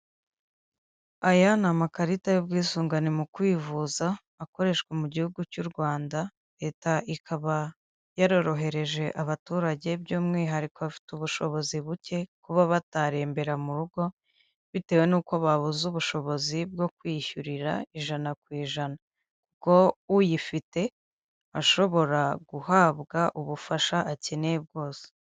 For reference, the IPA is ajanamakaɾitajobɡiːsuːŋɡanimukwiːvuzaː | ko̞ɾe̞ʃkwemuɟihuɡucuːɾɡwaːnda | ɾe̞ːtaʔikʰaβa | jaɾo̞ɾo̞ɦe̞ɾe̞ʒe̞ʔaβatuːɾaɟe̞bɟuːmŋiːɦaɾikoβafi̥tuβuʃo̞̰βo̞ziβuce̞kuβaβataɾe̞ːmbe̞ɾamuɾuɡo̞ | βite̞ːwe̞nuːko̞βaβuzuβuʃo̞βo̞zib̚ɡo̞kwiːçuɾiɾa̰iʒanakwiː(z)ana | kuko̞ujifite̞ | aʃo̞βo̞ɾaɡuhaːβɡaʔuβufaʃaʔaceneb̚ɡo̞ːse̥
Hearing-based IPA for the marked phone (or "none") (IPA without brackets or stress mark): ʒ